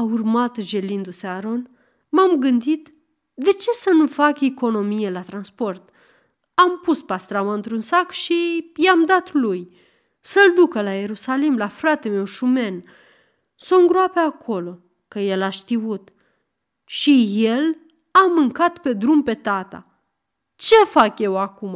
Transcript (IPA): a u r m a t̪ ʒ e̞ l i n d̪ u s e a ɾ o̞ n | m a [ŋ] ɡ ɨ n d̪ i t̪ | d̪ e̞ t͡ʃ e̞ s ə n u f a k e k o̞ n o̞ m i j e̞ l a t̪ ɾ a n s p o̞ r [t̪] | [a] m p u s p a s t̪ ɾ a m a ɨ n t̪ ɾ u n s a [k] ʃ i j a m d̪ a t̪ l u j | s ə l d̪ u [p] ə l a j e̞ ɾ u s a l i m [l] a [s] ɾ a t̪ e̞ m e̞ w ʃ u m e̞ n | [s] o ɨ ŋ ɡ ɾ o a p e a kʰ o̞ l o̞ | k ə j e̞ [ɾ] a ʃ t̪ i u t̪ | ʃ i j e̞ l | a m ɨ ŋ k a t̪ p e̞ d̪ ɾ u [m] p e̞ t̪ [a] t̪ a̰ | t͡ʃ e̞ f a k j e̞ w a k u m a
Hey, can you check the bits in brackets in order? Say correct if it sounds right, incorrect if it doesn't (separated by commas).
incorrect, correct, correct, correct, incorrect, correct, incorrect, correct, incorrect, correct, correct